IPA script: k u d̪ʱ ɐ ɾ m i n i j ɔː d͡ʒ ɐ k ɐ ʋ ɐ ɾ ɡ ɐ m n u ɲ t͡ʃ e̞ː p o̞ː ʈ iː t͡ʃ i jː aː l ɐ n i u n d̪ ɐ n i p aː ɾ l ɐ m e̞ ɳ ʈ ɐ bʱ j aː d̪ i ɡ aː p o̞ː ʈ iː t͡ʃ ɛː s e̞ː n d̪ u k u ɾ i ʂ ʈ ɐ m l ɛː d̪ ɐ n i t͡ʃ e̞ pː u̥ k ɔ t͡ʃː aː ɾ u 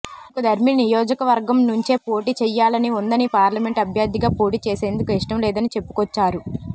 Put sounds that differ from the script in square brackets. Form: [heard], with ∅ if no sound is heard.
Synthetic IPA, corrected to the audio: k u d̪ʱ ɐ ɾ m i n i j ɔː d͡ʒ ɐ k ɐ ʋ ɐ ɾ ɡ ɐ m n u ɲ t͡ʃ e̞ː p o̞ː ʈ iː t͡ʃ [ɛ] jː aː l ɐ n i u n d̪ ɐ n i p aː ɾ l ɐ m e̞ ɳ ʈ ɐ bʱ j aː d̪ i ɡ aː p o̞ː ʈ iː t͡ʃ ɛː s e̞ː n d̪ u k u [∅] i ʂ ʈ ɐ m l ɛː d̪ ɐ n i t͡ʃ e̞ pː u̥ k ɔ t͡ʃː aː ɾ u